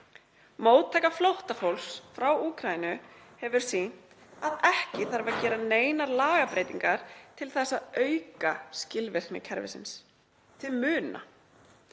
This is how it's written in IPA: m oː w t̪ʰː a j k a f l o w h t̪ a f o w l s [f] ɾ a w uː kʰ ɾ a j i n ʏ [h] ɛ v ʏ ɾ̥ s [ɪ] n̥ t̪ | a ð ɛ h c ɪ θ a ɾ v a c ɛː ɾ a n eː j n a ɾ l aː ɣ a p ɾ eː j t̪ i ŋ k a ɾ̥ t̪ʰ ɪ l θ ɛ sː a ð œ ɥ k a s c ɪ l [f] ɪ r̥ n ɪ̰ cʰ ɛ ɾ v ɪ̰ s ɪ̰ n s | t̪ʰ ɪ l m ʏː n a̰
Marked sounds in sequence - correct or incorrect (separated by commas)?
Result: correct, correct, incorrect, incorrect